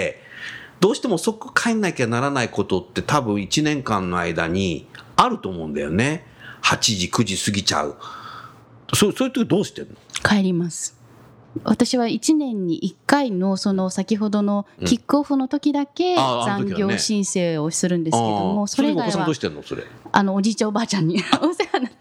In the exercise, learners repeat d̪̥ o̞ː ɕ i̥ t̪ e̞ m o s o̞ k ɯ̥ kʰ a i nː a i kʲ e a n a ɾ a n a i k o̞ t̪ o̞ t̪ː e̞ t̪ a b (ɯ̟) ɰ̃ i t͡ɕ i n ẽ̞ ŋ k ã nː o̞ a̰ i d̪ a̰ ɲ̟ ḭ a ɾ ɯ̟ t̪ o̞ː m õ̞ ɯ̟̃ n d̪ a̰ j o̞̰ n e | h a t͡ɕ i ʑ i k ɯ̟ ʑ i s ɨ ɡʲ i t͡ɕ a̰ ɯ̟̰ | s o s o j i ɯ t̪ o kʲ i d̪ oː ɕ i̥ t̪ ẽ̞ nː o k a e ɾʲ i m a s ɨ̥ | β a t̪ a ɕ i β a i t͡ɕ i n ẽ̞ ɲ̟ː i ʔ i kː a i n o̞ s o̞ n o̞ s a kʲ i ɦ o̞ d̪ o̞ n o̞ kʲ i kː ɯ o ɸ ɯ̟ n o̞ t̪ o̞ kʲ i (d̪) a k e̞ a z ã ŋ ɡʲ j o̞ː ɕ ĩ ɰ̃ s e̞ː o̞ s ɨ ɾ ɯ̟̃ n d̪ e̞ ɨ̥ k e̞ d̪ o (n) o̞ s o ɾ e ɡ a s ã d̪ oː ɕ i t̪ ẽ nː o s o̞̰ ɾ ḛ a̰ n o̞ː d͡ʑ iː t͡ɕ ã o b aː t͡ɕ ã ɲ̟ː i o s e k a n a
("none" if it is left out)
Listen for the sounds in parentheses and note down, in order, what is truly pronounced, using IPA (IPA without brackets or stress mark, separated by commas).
ɯ̟̃, d̪, m